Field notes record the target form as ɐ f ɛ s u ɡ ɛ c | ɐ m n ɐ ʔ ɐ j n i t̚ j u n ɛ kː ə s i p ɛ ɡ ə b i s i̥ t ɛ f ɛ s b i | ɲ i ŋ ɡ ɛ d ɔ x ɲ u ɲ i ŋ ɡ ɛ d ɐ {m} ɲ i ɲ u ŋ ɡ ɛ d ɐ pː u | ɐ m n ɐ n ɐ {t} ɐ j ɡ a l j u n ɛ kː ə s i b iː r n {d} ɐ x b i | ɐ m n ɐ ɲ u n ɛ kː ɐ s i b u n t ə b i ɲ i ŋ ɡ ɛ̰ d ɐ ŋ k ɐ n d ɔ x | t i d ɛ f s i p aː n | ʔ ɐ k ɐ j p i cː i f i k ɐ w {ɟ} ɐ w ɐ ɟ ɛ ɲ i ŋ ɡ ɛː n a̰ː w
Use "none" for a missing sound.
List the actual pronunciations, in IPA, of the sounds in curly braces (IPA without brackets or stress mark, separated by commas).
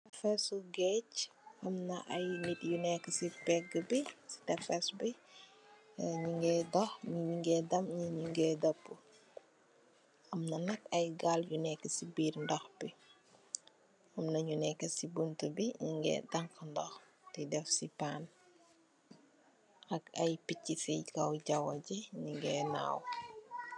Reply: m, k, d, ɟ